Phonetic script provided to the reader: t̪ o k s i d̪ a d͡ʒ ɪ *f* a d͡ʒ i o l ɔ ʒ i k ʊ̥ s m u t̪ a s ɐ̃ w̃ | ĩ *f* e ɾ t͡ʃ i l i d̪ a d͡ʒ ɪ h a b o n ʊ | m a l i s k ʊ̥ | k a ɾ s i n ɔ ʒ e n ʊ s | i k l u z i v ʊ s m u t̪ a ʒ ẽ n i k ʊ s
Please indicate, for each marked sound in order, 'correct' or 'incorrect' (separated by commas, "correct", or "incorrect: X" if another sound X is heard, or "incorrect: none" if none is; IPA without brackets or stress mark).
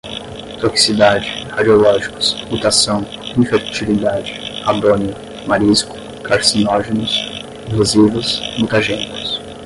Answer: incorrect: h, correct